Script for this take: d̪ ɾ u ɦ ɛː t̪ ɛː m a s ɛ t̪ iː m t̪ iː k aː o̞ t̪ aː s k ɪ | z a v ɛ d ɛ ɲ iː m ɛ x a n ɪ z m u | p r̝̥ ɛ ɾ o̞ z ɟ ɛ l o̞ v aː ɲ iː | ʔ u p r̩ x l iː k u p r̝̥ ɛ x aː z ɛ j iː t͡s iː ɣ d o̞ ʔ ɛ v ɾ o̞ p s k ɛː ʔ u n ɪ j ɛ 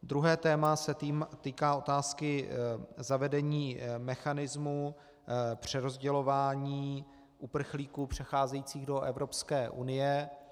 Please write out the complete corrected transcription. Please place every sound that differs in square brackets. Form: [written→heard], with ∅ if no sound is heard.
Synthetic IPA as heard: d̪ ɾ u ɦ ɛː t̪ ɛː m a s ɛ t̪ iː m t̪ iː k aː o̞ t̪ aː s k ɪ | z a v ɛ d ɛ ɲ iː m ɛ x a n ɪ z m u | p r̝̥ ɛ ɾ o̞ z ɟ ɛ l o̞ v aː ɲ iː | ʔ u p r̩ x l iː k u p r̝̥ ɛ x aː z ɛ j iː t͡s iː ɣ d o̞ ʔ ɛ v ɾ o̞ p s k ɛː ʔ u n ɪ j ɛ